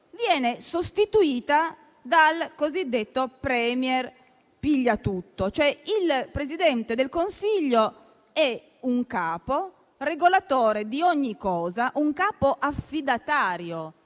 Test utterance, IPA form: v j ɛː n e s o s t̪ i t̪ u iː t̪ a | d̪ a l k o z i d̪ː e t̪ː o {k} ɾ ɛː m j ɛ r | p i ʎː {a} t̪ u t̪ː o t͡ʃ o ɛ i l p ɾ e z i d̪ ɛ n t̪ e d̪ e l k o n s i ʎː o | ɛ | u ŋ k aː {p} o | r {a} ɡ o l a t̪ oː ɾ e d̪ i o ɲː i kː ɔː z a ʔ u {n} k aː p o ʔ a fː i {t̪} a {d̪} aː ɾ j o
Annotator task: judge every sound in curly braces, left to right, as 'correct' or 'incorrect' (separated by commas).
incorrect, correct, correct, incorrect, incorrect, incorrect, incorrect